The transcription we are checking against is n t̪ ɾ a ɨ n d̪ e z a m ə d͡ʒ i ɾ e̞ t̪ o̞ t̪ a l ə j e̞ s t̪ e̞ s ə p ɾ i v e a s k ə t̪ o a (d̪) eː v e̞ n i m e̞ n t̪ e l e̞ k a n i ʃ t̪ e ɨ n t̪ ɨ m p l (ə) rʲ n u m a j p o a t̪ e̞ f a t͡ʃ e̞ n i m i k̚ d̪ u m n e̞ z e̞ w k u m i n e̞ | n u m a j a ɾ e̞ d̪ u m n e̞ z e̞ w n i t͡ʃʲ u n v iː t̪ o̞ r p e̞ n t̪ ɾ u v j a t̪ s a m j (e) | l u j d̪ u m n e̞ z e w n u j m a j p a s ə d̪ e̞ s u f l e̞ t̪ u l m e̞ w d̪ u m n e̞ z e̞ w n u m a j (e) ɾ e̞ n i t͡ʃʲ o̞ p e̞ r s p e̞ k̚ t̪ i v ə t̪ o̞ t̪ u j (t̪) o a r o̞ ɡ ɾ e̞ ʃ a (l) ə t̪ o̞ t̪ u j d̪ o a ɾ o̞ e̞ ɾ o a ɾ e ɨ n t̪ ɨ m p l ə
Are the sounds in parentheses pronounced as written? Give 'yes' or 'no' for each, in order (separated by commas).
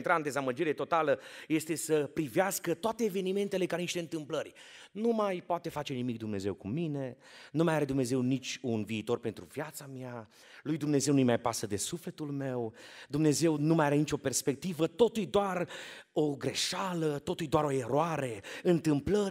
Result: no, yes, no, no, no, yes